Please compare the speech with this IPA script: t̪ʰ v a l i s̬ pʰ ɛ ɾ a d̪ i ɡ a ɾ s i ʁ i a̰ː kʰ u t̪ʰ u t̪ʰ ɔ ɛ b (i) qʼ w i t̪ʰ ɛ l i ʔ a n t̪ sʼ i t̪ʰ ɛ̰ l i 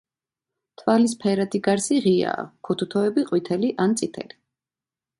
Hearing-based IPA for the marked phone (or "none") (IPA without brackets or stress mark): i